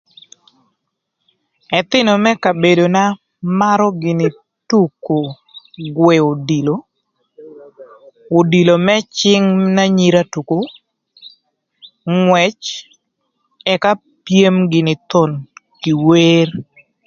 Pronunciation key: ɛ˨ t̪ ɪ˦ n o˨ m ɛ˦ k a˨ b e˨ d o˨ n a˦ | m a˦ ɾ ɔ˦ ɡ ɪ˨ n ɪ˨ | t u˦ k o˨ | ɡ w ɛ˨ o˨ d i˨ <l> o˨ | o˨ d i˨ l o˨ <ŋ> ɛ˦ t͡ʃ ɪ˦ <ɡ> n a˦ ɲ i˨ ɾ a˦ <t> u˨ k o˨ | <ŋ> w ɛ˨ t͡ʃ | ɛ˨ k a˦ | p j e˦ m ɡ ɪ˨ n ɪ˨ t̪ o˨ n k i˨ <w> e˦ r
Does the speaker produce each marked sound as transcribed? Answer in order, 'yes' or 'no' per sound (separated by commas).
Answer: yes, no, no, yes, yes, yes